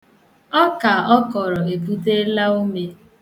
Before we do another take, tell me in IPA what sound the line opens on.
ɔ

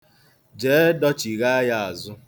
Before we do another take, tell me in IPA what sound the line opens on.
d͡ʒ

